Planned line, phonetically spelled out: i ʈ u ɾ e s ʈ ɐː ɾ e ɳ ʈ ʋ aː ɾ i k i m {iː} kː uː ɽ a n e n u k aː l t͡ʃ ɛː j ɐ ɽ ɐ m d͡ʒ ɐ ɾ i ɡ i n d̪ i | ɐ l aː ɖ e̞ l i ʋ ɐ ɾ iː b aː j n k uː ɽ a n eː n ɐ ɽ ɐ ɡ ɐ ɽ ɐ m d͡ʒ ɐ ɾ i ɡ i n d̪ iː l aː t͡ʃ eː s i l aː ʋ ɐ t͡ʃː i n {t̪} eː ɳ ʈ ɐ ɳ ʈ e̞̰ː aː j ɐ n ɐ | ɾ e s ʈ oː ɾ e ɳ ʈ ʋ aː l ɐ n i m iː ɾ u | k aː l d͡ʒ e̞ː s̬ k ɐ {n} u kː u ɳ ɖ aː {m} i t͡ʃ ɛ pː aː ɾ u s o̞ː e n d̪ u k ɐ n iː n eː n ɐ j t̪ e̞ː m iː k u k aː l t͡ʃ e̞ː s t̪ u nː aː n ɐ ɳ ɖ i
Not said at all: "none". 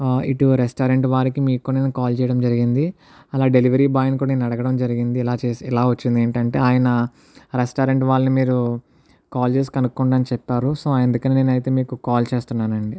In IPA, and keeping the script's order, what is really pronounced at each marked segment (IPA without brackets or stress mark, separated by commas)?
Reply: iː, d̪, n, n